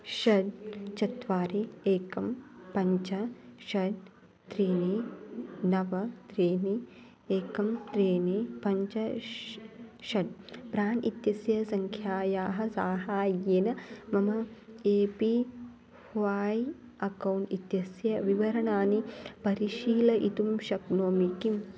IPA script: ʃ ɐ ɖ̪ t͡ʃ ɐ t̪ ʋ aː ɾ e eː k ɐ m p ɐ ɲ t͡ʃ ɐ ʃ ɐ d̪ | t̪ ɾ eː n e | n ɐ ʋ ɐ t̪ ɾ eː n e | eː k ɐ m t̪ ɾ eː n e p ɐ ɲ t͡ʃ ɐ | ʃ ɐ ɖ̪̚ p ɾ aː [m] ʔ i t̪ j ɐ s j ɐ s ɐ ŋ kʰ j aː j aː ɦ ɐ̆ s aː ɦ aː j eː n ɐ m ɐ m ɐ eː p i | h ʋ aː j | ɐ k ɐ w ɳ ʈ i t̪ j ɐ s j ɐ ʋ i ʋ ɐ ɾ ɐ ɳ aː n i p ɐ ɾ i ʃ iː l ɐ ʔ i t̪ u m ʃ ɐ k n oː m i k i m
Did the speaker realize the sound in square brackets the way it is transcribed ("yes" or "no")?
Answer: no